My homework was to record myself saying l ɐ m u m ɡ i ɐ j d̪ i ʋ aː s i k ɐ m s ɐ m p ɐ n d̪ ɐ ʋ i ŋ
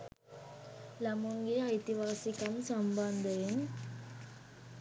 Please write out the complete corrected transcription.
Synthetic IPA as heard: l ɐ m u ŋ ɡ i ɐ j t̪ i ʋ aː s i k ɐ m s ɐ m b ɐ n d̪ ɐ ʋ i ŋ